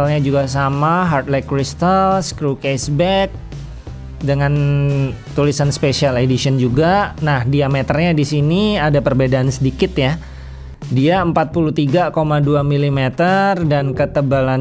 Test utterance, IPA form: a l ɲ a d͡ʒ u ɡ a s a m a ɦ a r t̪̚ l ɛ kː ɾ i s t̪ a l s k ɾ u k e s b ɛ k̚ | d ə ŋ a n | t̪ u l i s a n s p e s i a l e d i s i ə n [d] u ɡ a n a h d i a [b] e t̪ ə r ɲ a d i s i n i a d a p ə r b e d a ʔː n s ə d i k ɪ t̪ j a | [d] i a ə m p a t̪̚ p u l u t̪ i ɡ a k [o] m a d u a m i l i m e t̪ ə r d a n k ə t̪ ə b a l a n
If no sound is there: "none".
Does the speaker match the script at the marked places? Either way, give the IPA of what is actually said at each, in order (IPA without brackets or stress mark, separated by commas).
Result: d͡ʒ, m, d, o